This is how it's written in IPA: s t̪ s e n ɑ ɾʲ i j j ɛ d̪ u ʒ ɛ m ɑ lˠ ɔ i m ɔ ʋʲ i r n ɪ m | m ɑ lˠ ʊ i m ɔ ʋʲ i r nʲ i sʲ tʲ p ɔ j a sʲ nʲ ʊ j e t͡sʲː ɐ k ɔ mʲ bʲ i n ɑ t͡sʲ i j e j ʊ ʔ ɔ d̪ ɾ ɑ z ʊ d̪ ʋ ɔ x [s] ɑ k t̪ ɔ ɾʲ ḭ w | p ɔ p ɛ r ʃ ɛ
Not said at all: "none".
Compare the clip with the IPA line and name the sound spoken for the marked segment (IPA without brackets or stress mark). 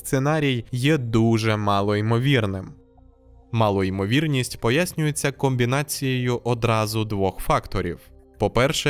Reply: f